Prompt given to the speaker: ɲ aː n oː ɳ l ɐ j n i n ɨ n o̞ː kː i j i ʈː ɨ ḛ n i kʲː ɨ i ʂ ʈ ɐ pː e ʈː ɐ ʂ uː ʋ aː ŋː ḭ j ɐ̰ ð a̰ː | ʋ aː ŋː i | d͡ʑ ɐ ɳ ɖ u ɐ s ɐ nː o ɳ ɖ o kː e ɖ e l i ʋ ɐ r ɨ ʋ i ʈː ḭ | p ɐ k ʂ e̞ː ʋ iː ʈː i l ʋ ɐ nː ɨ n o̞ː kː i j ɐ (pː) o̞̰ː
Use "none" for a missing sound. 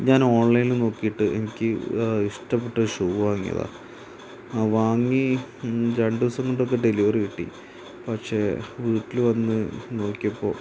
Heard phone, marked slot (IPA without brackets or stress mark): pː